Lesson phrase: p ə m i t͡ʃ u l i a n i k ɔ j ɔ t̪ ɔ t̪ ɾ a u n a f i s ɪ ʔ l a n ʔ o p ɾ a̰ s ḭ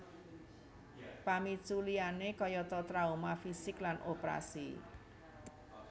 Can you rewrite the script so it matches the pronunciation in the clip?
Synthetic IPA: p a m i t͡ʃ u l i a n e k ɔ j ɔ t̪ ɔ t̪ ɾ a u m a f i s ɪ k l a n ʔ o p ɾ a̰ s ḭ